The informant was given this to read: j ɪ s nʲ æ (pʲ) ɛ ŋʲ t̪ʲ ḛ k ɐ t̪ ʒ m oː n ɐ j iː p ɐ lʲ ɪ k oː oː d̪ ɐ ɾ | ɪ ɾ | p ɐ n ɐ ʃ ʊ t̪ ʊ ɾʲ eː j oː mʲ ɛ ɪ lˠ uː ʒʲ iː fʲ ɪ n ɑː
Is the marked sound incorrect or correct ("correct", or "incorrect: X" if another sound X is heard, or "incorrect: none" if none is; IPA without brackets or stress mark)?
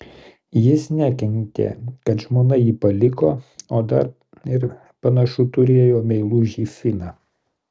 incorrect: kʲ